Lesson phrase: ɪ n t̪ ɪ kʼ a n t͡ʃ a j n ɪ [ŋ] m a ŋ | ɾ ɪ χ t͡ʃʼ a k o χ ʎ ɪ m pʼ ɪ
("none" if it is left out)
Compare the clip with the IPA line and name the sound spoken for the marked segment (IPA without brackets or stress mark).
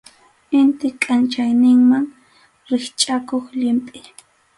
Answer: ŋ